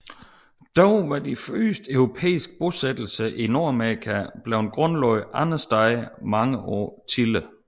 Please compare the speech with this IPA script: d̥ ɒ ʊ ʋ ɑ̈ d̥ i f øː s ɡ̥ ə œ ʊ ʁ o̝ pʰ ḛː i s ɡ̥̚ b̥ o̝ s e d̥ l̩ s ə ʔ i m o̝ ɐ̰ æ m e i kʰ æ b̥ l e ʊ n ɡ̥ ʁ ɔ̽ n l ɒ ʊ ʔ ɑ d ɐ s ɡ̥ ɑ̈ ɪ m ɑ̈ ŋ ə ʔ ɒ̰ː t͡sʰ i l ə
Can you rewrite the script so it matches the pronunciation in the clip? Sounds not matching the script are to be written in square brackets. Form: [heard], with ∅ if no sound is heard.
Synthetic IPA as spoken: d̥ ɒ ʊ ʋ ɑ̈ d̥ i f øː s [d̥] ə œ ʊ ʁ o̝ pʰ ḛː i s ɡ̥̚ b̥ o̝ s e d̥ l̩ s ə ʔ i [n] o̝ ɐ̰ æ m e i kʰ æ b̥ l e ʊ n ɡ̥ ʁ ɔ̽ n l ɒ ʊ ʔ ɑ [n] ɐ s [d̥] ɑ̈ ɪ m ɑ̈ ŋ ə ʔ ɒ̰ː t͡sʰ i l ə